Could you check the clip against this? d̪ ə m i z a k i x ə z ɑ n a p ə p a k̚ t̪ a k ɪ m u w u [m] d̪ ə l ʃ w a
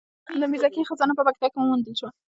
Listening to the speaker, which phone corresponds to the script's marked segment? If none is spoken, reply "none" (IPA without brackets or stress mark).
n